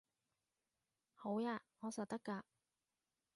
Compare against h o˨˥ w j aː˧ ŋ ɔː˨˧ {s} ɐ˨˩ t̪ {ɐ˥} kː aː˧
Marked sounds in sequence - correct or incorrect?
correct, correct

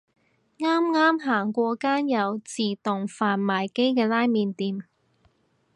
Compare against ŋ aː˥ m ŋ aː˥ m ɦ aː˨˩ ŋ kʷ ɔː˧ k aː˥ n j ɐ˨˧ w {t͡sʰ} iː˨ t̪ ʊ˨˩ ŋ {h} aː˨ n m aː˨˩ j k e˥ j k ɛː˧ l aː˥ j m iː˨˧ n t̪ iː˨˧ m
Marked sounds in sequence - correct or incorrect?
incorrect, incorrect

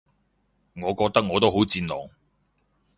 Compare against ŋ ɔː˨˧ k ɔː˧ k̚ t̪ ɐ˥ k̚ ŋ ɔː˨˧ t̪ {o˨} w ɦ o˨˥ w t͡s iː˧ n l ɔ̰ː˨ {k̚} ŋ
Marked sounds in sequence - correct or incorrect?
incorrect, incorrect

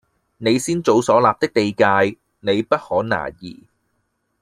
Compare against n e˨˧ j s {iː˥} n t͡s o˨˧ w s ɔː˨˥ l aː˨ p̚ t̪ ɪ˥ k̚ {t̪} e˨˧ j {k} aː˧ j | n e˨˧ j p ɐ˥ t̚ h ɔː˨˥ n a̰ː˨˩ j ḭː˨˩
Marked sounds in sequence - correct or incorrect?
correct, correct, correct

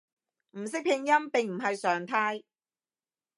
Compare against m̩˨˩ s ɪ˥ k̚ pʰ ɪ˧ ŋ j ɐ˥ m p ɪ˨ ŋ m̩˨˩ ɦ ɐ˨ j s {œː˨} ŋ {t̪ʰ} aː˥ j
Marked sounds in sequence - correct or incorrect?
correct, correct

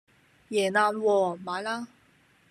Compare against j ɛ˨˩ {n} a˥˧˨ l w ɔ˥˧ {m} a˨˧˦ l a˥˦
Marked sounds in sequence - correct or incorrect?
correct, correct

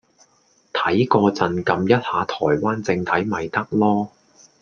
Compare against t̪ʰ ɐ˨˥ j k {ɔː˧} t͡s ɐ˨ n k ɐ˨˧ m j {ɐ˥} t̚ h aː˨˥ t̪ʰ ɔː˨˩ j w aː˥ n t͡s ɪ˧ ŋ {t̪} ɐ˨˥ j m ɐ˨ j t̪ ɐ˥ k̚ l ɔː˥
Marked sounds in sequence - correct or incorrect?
correct, correct, incorrect

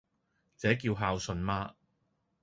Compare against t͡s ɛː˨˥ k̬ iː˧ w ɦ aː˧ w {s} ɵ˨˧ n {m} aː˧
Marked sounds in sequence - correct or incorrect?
correct, correct

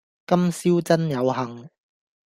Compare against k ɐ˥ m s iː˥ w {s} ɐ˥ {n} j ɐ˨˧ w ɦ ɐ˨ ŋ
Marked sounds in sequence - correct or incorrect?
incorrect, correct

